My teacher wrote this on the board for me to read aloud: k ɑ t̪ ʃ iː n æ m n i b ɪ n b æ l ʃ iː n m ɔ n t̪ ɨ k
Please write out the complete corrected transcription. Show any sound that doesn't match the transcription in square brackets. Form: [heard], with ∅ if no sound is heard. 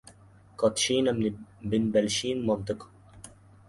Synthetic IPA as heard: k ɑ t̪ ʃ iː n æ m n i b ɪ n b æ l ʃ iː n m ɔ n t̪ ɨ k